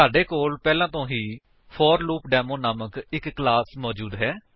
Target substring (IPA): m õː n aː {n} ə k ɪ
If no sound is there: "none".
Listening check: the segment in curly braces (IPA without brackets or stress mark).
m